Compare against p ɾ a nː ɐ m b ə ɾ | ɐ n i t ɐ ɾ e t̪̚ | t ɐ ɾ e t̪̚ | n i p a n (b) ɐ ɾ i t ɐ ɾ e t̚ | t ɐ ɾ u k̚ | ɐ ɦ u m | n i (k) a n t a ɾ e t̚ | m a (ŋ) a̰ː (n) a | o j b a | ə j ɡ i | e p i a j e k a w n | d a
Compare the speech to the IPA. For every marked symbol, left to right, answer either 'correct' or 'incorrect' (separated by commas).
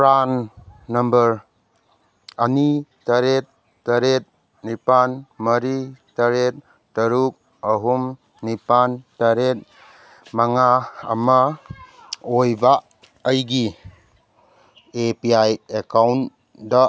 incorrect, incorrect, correct, incorrect